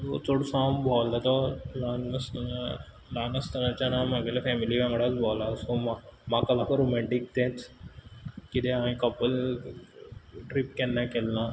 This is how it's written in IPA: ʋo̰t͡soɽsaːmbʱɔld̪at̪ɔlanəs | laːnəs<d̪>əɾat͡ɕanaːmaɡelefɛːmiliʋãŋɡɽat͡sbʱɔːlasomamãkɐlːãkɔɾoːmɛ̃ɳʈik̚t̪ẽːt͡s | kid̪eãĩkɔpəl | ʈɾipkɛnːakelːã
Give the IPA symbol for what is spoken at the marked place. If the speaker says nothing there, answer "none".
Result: t̪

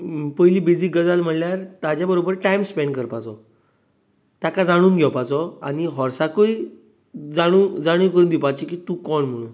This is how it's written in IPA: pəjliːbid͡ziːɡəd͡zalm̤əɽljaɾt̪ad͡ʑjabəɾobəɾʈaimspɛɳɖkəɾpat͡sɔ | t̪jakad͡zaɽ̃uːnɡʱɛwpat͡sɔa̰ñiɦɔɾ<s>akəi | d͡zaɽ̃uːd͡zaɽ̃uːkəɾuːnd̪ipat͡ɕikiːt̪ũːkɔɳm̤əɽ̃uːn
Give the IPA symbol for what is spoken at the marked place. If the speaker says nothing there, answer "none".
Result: s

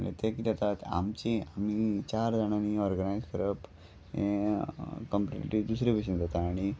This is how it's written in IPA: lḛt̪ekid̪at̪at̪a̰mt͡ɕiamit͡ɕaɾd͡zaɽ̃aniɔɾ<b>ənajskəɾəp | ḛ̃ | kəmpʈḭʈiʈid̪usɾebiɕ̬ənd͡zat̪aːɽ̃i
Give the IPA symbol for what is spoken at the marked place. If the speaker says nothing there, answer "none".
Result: ɡ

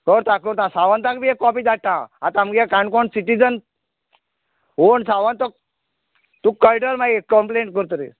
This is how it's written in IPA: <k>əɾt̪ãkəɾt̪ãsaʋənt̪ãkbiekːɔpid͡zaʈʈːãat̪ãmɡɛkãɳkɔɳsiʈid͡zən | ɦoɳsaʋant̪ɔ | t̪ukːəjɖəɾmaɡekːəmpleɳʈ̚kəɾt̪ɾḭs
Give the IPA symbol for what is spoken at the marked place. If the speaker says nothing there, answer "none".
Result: k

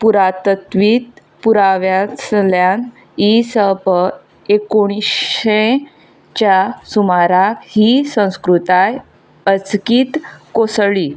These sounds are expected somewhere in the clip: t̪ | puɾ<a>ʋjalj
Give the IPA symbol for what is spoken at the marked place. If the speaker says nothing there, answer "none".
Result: a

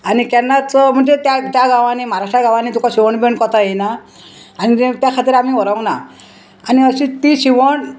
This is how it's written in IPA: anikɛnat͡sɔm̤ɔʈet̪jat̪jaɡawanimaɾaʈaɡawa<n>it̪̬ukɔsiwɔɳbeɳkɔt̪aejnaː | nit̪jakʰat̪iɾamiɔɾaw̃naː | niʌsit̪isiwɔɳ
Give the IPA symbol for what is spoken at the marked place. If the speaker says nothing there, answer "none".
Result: n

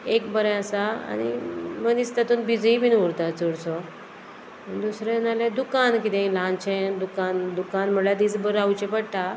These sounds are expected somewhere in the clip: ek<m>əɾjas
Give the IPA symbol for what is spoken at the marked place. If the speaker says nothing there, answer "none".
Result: b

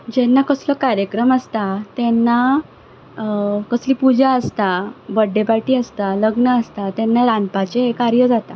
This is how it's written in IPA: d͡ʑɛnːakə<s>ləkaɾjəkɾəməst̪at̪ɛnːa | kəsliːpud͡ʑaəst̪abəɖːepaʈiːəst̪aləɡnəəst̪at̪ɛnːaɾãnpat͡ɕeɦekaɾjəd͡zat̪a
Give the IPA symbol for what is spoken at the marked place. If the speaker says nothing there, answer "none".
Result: s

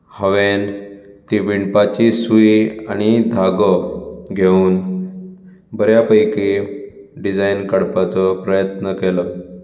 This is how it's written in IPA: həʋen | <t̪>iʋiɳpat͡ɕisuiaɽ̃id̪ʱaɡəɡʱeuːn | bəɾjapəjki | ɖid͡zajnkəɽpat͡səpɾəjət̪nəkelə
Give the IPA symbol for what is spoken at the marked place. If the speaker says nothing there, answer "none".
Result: t̪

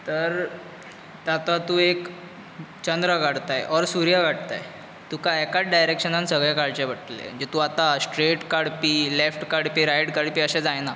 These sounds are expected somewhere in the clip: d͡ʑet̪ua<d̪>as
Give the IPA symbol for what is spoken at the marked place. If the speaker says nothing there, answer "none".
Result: t̪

